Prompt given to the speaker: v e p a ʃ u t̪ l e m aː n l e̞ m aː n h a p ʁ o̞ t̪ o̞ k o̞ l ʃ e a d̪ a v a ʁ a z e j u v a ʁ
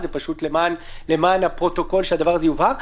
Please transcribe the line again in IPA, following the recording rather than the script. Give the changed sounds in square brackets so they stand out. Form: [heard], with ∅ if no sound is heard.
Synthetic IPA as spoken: [z] e p a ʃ u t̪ l e m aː n l e̞ m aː n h a p ʁ o̞ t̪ o̞ k o̞ l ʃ e a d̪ a v a ʁ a z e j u v a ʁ

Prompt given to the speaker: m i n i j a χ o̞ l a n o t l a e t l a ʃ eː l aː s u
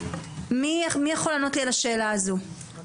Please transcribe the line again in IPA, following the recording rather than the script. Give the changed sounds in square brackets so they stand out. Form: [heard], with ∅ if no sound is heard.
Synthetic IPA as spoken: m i [m] i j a χ o̞ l a n o t l [i] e [∅] l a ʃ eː l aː [z] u

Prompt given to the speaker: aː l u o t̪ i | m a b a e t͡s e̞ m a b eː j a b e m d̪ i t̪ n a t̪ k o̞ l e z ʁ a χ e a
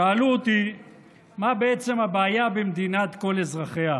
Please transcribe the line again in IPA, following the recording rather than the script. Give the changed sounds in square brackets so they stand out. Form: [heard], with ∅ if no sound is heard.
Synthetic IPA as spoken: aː l u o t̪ i | m a b [e] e t͡s e̞ m a b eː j a b e m d̪ i [∅] n a t̪ k o̞ l e z ʁ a χ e a

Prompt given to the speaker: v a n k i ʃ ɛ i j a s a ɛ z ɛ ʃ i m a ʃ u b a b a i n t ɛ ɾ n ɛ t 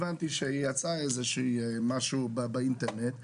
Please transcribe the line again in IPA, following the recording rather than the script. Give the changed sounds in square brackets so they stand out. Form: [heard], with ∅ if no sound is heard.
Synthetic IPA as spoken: v a n [t] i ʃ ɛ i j a [t͡s] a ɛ z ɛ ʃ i m a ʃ u b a b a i n t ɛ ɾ n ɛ t

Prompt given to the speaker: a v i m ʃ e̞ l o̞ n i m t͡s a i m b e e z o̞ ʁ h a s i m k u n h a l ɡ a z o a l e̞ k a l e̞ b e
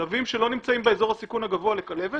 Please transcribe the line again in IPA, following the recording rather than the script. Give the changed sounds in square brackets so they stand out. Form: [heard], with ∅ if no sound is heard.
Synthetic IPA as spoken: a v i m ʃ e̞ l o̞ n i m t͡s a i m b e e z o̞ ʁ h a s i [∅] k u n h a [∅] ɡ a [v] o a l e̞ k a l e̞ [v] e

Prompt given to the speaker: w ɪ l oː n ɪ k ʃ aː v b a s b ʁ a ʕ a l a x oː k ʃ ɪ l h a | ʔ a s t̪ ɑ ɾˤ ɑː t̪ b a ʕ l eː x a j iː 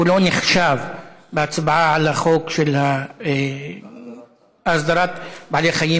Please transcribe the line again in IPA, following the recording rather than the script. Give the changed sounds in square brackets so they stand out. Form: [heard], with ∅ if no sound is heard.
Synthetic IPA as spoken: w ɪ l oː n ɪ [x] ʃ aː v b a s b [ʕ] a ʕ a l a x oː k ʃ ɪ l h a | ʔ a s [d̪] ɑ ɾˤ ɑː t̪ b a ʕ l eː x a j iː

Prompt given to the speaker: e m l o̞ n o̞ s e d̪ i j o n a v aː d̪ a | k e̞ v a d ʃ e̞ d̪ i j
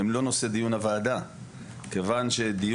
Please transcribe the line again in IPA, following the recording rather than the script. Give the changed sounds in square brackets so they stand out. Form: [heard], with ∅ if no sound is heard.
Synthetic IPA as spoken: e m l o̞ n o̞ s e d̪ i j [u] n a v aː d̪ a | k e̞ v a [n] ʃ e̞ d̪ i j

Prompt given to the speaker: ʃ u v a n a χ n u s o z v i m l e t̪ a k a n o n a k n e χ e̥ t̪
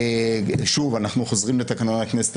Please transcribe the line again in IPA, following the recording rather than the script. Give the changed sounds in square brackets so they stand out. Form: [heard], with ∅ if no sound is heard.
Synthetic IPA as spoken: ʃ u v a n a χ n u [χ] o z [ʁ] i m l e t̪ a k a n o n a k n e [s] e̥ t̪

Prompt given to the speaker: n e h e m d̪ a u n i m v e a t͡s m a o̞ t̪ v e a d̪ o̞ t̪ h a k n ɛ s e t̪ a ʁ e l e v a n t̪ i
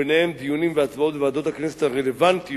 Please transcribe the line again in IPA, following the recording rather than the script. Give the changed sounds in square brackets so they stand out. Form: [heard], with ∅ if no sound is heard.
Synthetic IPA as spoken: n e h e m d̪ [i] u n i m v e a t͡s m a o̞ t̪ v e a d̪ o̞ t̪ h a k n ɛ s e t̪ a ʁ e l e v a n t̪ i

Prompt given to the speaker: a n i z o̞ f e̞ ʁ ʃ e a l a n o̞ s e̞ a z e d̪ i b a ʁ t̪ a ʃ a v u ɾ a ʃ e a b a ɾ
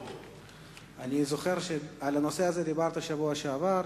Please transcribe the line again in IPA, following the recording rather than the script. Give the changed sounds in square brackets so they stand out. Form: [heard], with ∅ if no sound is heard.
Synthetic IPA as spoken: a n i z o̞ [χ] e̞ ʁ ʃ e a l a n o̞ s e̞ a z e d̪ i b a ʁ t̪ a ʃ a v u [∅] a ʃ e a [v] a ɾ

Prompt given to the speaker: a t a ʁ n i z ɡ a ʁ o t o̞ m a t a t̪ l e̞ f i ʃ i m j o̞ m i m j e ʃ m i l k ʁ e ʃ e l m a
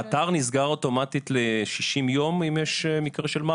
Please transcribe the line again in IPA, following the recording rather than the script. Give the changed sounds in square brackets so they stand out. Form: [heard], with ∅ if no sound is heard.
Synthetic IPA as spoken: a t a ʁ n i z ɡ a ʁ o t o̞ m a t [i] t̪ l e̞ [ʃ] i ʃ i m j o̞ m i m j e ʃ m i [∅] k ʁ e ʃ e l m a

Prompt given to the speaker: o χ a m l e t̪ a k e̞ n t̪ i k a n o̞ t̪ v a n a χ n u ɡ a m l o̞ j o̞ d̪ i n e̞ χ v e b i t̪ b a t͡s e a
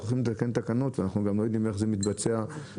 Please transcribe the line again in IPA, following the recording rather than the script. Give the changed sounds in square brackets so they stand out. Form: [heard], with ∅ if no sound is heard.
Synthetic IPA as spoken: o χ [i] m l e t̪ a k e̞ n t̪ [a] k a n o̞ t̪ v a n a χ n u ɡ a m l o̞ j o̞ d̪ i [m] e̞ χ [z] e [m] i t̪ b a t͡s e a

